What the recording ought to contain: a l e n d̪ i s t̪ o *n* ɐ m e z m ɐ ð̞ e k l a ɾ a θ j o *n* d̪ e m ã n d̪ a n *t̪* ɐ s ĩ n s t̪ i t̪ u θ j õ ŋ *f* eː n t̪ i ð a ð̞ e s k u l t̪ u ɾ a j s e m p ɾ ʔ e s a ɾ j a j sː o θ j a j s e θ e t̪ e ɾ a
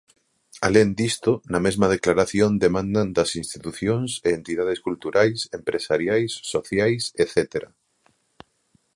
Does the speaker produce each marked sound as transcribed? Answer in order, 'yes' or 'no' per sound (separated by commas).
yes, yes, no, no